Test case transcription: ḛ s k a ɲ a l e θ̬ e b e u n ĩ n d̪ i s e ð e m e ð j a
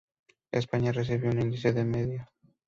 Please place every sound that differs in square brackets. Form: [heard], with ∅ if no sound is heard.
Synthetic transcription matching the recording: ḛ s [p] a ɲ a [r] e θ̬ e [β] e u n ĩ n d̪ i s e ð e m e ð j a